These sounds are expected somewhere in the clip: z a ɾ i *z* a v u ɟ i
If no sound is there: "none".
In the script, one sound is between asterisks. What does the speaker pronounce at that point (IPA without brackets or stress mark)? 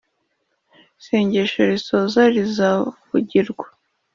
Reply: z